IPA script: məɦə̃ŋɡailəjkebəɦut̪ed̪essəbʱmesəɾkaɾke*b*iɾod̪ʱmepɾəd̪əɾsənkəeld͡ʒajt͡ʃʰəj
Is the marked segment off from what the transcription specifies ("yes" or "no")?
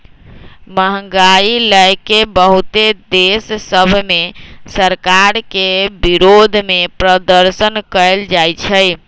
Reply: no